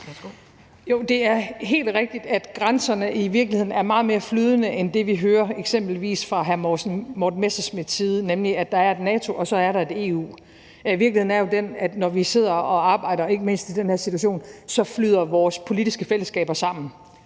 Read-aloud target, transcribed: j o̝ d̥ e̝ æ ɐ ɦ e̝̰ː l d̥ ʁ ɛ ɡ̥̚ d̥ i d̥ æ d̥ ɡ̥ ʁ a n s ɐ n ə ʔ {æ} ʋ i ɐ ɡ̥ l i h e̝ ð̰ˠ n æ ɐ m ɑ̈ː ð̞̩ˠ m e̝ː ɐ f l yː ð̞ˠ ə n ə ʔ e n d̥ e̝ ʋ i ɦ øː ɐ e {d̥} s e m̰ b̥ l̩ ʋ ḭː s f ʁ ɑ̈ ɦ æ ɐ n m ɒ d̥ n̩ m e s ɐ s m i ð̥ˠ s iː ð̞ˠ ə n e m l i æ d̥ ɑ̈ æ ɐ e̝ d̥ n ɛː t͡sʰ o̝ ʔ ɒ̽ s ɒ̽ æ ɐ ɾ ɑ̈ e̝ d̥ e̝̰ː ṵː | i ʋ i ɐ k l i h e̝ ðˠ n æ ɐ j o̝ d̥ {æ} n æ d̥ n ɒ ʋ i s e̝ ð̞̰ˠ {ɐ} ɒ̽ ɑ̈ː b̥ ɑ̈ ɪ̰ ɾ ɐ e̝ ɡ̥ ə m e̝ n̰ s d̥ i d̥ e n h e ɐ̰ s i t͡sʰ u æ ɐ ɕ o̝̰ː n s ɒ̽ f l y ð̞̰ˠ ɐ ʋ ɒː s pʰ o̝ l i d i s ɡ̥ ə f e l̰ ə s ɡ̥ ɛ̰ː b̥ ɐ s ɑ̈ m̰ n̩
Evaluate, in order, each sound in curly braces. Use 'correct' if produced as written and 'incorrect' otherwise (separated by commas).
incorrect, incorrect, incorrect, correct